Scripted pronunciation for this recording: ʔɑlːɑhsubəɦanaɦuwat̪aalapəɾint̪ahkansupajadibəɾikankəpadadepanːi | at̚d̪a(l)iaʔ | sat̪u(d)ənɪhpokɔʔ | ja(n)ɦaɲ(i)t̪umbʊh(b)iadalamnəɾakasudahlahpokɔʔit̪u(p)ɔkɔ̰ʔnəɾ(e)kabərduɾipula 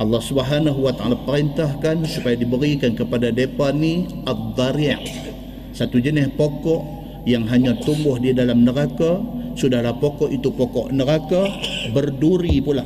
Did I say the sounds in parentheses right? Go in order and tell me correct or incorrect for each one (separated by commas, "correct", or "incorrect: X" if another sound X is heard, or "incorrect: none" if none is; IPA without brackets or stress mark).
incorrect: ɾ, incorrect: d͡ʒ, incorrect: ŋ, incorrect: a, incorrect: d, correct, incorrect: a